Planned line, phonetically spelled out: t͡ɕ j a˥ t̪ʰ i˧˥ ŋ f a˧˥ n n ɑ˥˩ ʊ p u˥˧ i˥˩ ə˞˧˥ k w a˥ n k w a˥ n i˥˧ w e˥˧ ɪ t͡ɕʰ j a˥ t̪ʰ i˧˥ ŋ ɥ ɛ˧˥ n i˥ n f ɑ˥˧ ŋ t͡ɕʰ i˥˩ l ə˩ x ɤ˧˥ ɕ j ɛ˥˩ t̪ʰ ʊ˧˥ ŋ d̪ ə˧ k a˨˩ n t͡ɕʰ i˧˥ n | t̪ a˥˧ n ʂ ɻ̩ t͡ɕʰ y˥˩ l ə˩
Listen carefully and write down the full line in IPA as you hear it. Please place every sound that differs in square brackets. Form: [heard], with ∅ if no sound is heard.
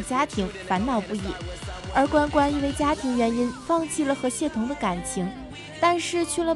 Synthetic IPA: t͡ɕ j a˥ t̪ʰ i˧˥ ŋ f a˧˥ n n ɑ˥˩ ʊ p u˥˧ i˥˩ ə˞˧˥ k w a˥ n k w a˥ n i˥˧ w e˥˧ ɪ [t͡ɕ] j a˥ t̪ʰ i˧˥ ŋ ɥ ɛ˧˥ n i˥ n f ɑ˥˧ ŋ t͡ɕʰ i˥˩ l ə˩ x ɤ˧˥ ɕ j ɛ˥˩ t̪ʰ ʊ˧˥ ŋ d̪ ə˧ k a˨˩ n t͡ɕʰ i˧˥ [ŋ] | t̪ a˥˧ n ʂ ɻ̩ t͡ɕʰ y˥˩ l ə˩